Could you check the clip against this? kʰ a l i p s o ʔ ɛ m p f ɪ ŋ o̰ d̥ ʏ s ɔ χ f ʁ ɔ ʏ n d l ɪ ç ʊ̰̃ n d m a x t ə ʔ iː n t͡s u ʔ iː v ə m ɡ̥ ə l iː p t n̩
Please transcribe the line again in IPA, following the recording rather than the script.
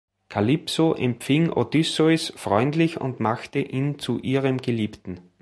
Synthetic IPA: kʰ a l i p s o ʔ ɛ m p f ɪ ŋ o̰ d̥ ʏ s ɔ s f ʁ ɔ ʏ n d l ɪ ç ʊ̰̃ n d m a x t ə ʔ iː n t͡s u ʔ iː ʁ ə m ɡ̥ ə l iː p t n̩